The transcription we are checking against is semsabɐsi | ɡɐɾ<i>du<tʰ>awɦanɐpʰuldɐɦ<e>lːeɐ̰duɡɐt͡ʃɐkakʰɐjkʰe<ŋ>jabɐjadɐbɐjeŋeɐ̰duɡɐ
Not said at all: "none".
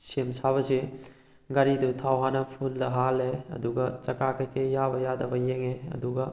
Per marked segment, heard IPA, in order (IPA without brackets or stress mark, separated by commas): i, tʰ, a, none